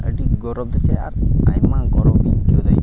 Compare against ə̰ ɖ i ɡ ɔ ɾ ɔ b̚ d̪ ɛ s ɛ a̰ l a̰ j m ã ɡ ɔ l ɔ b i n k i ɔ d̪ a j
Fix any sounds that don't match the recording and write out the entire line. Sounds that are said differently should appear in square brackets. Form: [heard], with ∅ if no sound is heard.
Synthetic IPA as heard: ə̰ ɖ i ɡ ɔ ɾ ɔ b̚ d̪ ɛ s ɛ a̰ [ɾ] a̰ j m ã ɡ ɔ [ɾ] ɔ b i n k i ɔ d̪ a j